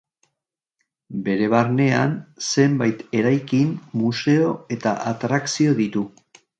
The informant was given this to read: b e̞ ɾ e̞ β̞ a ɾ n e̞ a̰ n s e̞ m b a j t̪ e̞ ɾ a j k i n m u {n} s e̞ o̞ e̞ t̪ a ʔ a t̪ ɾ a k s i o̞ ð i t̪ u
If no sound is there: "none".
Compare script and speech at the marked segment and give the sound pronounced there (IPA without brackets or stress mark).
none